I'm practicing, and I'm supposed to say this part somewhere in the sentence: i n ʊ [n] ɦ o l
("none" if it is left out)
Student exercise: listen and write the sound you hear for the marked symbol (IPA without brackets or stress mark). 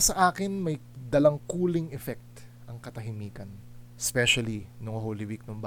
ŋ